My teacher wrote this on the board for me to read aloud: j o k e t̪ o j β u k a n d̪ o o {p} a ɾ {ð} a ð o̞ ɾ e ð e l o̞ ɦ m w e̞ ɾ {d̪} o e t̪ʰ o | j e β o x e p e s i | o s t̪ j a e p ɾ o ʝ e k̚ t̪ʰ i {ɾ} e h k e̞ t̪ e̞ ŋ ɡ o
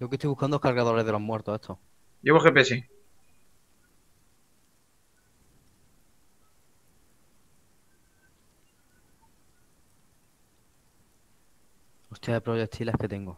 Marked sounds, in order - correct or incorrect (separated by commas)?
incorrect, incorrect, incorrect, incorrect